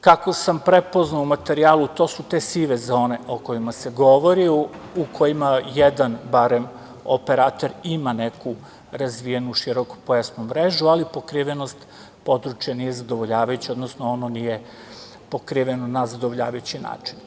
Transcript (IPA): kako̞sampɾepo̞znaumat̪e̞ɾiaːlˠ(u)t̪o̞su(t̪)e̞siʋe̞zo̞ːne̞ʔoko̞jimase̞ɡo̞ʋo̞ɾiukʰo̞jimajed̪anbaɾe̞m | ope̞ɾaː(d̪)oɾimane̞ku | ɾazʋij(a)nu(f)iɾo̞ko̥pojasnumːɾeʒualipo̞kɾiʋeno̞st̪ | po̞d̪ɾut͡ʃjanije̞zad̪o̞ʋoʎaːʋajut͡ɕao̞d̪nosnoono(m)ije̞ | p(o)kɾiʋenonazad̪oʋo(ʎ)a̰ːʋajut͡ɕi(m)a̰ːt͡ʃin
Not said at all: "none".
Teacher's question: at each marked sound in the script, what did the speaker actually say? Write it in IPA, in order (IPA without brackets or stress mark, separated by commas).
u, t̪, t̪, e, ʃ, n, o, ʎ, n